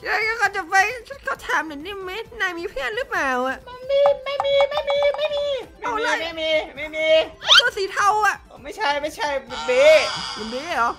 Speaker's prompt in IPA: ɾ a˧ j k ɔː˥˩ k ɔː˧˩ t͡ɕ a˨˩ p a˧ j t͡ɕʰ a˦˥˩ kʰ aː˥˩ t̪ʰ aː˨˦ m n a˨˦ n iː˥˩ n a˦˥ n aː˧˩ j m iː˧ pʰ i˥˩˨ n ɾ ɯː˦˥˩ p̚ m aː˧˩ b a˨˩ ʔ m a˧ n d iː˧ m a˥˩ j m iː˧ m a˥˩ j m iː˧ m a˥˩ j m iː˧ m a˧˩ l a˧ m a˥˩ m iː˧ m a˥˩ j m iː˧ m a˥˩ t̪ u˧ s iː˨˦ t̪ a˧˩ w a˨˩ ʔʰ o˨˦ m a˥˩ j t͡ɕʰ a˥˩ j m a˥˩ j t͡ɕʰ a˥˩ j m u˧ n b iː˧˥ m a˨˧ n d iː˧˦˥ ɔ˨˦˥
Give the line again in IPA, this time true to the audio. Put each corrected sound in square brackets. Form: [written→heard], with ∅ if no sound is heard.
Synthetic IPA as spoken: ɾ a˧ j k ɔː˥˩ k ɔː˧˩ t͡ɕ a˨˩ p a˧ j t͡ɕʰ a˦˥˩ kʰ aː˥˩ t̪ʰ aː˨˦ m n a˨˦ n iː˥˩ [n→m] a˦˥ n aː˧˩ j m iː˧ pʰ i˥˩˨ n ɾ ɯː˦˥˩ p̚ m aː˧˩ [b→w] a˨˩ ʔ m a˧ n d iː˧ m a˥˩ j m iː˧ m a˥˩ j m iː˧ m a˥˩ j m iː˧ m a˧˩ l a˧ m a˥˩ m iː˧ m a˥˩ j m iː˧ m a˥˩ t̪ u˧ s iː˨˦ [t̪→t̪ʰ] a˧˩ w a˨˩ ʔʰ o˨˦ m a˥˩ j t͡ɕʰ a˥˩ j m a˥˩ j t͡ɕʰ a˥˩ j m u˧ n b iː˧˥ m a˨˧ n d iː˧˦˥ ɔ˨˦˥